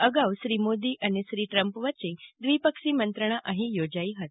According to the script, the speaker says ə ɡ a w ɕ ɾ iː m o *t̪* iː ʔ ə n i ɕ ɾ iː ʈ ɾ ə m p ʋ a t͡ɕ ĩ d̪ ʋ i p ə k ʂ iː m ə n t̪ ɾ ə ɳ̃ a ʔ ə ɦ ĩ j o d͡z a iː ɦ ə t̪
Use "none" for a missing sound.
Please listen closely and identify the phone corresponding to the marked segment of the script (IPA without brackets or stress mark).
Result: d̪